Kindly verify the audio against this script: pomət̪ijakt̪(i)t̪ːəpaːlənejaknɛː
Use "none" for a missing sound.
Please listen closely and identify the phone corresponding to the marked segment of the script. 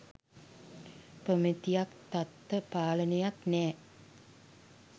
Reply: a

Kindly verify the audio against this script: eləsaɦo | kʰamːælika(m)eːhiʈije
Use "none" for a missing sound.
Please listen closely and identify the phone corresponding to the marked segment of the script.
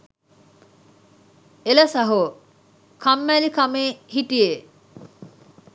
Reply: m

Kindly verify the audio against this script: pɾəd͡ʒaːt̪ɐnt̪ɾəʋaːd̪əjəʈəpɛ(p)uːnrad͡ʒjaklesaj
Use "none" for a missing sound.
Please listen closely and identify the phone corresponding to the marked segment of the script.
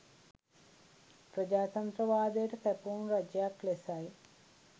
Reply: p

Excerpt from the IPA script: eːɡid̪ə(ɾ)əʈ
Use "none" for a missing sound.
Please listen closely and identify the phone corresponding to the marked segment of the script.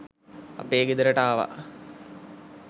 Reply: ɾ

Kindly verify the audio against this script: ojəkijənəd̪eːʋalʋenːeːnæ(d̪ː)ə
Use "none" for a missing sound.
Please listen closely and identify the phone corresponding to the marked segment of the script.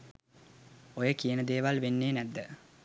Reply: d̪ː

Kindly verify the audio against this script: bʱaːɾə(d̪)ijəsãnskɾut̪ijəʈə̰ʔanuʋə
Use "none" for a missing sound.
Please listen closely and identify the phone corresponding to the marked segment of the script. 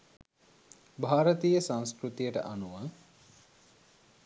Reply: t̪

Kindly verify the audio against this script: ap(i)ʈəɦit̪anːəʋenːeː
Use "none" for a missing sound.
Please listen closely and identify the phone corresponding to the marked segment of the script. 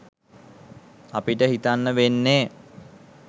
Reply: i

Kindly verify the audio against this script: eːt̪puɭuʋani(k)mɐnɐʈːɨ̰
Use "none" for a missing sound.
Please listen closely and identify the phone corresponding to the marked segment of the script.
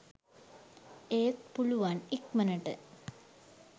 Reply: k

